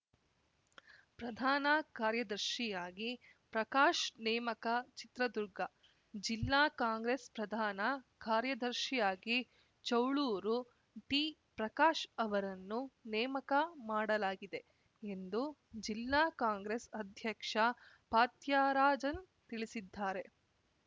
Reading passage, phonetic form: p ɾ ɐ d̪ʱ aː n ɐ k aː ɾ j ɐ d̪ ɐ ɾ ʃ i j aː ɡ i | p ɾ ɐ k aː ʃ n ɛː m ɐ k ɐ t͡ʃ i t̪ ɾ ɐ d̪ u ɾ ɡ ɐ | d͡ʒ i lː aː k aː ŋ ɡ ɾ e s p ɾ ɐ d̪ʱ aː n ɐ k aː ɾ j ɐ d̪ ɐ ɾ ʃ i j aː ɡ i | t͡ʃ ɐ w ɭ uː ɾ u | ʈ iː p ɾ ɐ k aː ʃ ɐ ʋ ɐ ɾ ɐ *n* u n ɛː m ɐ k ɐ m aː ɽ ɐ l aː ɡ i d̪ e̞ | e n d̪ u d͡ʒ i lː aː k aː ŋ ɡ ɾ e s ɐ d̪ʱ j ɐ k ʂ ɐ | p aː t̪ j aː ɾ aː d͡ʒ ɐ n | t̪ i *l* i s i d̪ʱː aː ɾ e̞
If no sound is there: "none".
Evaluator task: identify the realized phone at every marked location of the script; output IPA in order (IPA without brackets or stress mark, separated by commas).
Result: nː, ɭ